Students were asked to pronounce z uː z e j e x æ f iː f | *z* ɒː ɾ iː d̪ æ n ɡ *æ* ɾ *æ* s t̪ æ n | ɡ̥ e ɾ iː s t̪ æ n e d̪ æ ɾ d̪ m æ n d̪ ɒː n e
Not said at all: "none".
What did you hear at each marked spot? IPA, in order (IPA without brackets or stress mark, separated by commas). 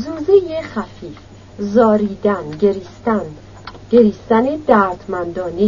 z, e, i